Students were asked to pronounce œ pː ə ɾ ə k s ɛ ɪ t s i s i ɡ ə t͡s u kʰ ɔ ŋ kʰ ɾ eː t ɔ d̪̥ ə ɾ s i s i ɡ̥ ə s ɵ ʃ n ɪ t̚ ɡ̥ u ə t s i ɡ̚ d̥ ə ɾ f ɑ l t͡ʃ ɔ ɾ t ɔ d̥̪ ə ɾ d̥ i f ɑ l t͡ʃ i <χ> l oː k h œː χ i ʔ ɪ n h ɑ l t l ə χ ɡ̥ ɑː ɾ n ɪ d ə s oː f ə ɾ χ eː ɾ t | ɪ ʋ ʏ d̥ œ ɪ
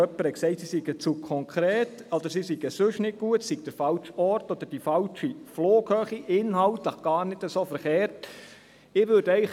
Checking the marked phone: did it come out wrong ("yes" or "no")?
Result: yes